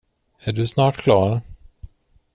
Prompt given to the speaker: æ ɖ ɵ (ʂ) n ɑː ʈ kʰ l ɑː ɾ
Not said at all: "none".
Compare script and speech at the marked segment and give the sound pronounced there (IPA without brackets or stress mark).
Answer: s